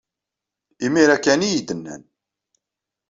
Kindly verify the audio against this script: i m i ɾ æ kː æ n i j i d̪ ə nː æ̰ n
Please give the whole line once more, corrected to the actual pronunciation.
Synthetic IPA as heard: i m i ɾ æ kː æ n i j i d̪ ə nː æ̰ n